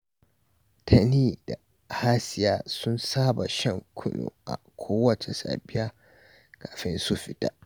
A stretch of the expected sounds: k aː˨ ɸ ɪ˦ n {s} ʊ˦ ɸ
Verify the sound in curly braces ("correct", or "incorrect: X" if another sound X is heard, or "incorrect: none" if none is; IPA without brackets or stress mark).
correct